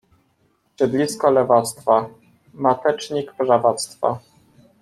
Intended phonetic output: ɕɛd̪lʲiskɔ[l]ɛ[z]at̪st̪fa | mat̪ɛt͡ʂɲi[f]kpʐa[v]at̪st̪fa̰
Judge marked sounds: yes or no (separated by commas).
yes, no, no, yes